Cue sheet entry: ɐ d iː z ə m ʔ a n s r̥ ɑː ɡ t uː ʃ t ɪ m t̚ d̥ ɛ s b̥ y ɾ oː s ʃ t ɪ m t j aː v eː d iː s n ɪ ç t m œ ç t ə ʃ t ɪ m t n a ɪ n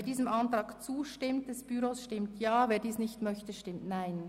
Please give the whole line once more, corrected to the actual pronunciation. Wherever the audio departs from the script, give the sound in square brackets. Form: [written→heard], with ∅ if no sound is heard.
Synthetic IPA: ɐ d iː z ə m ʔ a n [s→t] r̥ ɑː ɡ [t→t͡s] uː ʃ t ɪ m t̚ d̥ ɛ s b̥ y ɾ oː s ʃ t ɪ m t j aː v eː d iː s n ɪ ç t m œ ç t ə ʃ t ɪ m t n a ɪ n